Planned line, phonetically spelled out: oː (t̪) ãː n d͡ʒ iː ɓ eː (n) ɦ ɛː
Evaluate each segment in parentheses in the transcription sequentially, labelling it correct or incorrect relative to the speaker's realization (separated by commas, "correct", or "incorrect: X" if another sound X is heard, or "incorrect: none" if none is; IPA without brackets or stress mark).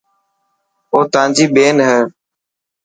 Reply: correct, correct